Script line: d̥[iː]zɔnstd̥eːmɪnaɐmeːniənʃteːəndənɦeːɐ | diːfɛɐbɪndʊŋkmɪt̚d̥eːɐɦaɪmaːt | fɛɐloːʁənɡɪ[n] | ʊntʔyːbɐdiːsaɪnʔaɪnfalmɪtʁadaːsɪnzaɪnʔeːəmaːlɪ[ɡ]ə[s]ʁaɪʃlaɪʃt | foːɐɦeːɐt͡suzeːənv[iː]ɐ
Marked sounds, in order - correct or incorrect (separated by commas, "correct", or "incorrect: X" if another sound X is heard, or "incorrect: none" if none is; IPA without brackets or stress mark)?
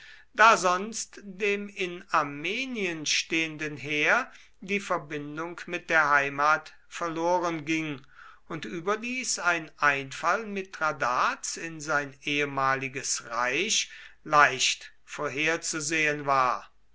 incorrect: aː, incorrect: ŋ, correct, correct, incorrect: aː